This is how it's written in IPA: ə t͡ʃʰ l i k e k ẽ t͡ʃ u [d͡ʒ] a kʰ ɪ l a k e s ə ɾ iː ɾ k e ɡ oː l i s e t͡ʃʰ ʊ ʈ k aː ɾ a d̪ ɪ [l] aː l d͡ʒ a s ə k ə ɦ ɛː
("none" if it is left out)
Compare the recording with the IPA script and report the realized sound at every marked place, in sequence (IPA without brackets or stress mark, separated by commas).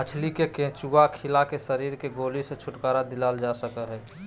none, l